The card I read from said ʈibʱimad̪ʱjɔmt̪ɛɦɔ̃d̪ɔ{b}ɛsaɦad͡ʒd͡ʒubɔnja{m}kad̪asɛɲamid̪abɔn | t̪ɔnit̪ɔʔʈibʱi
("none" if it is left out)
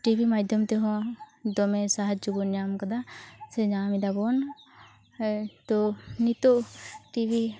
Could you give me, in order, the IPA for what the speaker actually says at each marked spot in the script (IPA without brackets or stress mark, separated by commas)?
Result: m, m